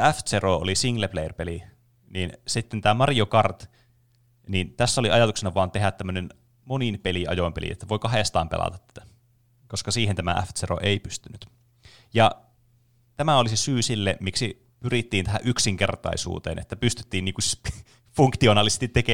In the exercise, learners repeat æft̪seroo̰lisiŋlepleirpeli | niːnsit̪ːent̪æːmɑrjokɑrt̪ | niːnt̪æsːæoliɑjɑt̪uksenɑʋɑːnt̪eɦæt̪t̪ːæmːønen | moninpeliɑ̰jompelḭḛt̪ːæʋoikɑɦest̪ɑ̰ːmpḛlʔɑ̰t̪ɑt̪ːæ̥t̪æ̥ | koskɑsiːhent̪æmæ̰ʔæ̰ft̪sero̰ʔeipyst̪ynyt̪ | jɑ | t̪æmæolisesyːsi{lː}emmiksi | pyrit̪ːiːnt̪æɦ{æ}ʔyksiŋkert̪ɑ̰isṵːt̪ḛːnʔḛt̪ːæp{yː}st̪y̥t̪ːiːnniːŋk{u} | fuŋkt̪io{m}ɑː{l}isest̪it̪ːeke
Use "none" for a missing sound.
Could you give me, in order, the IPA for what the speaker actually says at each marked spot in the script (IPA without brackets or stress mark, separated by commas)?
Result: lː, æ, y, u, n, l